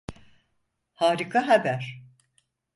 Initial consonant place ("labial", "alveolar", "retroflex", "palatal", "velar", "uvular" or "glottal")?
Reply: glottal